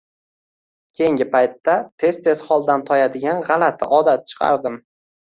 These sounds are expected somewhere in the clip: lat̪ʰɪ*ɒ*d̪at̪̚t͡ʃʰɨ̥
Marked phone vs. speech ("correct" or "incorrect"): correct